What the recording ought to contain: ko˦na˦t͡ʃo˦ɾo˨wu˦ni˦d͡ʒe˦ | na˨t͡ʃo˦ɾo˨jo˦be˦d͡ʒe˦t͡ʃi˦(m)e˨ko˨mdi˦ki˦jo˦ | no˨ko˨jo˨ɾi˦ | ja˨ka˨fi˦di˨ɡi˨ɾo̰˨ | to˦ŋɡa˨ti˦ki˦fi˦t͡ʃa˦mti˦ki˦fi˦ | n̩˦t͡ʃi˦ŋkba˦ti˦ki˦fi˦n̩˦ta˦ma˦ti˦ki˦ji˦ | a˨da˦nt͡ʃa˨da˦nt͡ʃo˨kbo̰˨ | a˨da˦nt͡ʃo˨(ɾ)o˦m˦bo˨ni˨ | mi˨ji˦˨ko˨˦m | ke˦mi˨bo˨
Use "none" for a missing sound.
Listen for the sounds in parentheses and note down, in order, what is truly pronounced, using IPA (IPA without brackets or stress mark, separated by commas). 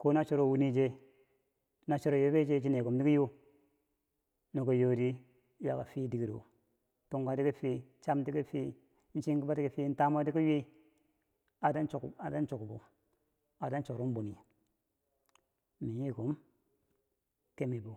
n, ɾ